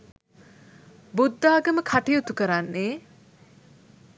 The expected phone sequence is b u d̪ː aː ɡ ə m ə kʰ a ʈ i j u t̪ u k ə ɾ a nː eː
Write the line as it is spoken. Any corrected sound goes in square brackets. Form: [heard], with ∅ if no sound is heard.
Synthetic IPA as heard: b u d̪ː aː ɡ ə m ə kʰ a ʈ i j u t̪ u k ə ɾ a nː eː